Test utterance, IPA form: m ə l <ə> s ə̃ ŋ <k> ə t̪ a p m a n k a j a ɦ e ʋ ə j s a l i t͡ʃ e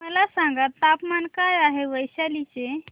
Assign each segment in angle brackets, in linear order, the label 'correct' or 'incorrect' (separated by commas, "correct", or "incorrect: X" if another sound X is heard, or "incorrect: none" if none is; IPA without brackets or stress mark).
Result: incorrect: a, incorrect: ɡ